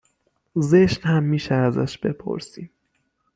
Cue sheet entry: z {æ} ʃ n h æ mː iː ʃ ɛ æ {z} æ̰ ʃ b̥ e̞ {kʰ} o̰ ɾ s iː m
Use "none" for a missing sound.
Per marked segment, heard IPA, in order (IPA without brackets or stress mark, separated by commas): e, z, pʰ